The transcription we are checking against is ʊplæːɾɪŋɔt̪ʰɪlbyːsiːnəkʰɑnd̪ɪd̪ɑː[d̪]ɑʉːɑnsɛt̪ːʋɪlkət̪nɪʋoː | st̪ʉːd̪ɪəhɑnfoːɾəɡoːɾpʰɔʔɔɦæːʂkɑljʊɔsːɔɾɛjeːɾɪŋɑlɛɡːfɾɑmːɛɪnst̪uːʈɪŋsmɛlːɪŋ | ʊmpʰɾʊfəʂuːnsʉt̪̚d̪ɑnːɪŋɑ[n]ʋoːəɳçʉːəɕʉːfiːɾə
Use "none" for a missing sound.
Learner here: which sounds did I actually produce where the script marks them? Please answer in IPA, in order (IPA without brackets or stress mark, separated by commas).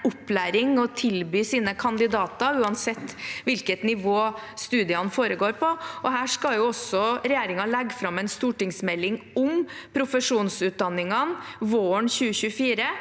t̪, n